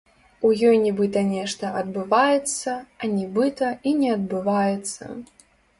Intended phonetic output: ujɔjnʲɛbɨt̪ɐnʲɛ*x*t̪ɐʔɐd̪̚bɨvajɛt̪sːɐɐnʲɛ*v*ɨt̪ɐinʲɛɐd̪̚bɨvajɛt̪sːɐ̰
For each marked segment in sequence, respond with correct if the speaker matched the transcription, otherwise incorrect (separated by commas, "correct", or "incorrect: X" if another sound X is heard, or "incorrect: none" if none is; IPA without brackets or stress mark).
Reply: incorrect: ʂ, incorrect: b